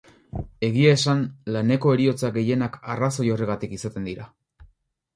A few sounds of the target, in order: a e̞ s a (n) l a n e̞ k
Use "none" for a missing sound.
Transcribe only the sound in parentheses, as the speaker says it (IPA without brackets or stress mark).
n